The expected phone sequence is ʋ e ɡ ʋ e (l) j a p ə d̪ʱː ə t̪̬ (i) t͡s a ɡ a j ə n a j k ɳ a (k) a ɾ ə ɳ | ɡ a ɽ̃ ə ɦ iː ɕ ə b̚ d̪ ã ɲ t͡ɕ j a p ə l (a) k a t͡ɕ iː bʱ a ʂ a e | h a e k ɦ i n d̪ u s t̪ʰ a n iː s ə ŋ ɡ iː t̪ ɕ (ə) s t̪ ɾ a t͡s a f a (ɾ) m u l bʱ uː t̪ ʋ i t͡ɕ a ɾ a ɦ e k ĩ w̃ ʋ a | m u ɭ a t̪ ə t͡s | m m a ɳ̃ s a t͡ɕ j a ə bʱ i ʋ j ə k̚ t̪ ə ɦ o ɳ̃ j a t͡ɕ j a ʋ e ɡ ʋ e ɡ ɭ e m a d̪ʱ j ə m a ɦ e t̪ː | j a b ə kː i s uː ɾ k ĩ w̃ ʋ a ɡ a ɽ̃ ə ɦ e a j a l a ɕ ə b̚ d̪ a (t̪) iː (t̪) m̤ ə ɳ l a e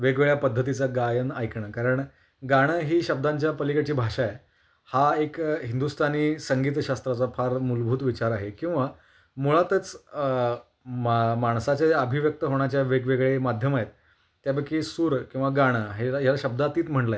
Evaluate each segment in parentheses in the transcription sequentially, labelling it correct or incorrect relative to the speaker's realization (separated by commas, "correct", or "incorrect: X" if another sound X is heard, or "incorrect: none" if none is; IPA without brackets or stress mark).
incorrect: ɭ, correct, correct, incorrect: i, incorrect: a, correct, correct, correct